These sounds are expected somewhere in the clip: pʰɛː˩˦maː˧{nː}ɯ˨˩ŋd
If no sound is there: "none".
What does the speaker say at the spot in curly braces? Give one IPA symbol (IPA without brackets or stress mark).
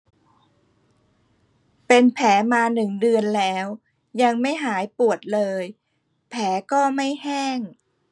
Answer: n